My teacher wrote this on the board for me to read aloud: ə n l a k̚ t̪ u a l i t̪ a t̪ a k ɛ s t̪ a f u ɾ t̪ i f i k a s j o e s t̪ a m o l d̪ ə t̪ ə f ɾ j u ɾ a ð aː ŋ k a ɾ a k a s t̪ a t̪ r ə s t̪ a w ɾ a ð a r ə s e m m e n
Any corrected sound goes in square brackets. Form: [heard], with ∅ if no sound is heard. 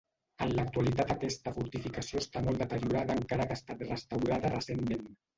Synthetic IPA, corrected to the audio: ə n l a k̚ t̪ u a l i t̪ a t̪ a k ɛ s t̪ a f u ɾ t̪ i f i k a s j o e s t̪ a m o l d̪ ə t̪ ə [∅] ɾ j u ɾ a ð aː ŋ k a ɾ a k a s t̪ a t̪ r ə s t̪ a w ɾ a ð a r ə s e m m e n